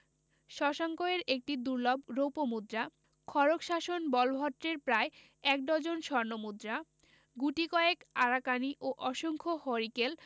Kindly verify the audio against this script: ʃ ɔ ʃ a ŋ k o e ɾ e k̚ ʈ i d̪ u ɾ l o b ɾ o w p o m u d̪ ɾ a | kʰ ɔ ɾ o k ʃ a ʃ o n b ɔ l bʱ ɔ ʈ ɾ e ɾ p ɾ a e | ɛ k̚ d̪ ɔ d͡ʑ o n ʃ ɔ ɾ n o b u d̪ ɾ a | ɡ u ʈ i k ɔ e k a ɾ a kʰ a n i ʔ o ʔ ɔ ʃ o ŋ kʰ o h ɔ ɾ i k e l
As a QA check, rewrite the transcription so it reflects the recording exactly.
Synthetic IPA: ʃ ɔ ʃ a ŋ k o e ɾ e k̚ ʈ i d̪ u ɾ l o b ɾ o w p o m u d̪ ɾ a | kʰ ɔ ɾ o k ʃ a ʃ o n b ɔ l bʱ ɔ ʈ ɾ e ɾ p ɾ a e | ɛ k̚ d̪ ɔ d͡ʑ o n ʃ ɔ ɾ n o m u d̪ ɾ a | ɡ u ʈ i k ɔ e k a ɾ a k a n i ʔ o ʔ ɔ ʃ o ŋ kʰ o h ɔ ɾ i k e l